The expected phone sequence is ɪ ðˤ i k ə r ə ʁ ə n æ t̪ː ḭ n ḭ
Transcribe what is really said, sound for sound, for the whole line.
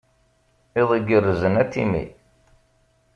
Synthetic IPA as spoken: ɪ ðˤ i ɡ ə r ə z ə n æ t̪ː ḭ m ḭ

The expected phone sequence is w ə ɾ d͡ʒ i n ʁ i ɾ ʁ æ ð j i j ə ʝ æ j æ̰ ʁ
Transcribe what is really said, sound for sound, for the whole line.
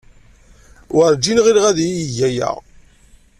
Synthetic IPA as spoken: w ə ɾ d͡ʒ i n ʁ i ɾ ʁ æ ð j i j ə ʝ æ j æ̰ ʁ

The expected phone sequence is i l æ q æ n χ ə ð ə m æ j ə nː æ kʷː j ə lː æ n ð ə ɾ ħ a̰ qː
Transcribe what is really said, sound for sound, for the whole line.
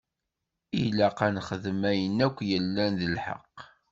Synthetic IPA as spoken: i l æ q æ n χ ə ð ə m æ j ə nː æ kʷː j ə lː æ n ð ə l ħ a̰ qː

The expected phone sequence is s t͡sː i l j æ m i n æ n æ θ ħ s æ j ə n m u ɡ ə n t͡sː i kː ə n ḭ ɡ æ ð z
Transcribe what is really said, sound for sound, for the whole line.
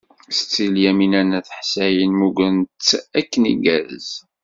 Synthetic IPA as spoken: s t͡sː i l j æ m i n æ n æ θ ħ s æ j ə n m u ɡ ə n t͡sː æ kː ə n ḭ ɡ æ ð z

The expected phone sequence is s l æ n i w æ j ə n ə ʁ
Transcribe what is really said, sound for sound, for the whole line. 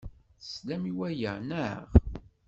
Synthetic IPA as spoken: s l æ m i w æ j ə n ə ʁ

